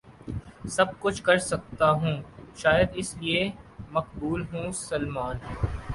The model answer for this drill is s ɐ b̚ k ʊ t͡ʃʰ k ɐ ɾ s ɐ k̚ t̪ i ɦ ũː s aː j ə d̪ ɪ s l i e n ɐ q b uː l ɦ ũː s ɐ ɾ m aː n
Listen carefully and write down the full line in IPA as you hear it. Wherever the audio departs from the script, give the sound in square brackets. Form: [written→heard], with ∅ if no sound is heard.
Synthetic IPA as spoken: s ɐ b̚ k ʊ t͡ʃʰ k ɐ ɾ s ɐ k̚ t̪ [i→a] ɦ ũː [s→ʃ] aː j ə d̪ ɪ s l i e [n→m] ɐ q b uː l ɦ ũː s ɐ [ɾ→l] m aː n

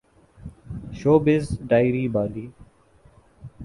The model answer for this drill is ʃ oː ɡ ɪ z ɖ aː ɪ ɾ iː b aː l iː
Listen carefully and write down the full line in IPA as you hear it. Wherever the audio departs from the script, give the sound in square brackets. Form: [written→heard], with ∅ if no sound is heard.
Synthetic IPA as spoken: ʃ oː [ɡ→b] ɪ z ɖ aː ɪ ɾ iː b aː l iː

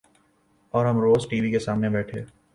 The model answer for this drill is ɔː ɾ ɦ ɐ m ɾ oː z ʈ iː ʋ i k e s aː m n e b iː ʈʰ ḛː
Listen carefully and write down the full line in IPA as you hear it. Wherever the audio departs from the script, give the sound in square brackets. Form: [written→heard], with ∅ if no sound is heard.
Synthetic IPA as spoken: ɔː ɾ ɦ ɐ m ɾ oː z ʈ iː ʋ i k e s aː m n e b [iː→ɛː] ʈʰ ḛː

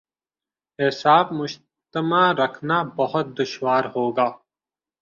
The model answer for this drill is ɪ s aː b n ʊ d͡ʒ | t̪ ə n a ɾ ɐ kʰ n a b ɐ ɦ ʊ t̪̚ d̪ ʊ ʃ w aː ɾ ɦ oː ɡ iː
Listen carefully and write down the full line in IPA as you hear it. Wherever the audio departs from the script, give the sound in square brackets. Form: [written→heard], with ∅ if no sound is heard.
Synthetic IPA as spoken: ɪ s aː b [n→m] ʊ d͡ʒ | t̪ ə [n→m] a ɾ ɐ kʰ n a b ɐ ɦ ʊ t̪̚ d̪ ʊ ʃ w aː ɾ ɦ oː ɡ [iː→aː]

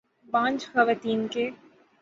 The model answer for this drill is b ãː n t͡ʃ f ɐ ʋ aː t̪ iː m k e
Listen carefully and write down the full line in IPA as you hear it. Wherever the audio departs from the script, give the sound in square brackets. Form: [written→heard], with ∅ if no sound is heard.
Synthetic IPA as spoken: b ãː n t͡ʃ [f→x] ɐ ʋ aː t̪ iː [m→n] k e

